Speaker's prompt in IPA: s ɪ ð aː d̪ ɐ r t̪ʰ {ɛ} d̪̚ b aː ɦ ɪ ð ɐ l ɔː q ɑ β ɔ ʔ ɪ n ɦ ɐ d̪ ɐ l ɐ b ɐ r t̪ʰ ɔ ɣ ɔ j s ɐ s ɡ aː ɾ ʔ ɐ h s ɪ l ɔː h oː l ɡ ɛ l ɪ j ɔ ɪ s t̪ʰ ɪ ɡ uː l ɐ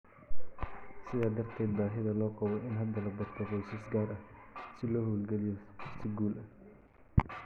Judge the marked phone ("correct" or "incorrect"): incorrect